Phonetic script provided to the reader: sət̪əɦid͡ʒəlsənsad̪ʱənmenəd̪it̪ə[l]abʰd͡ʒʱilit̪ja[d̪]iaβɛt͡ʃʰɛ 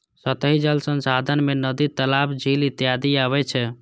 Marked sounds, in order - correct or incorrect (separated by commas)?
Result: correct, correct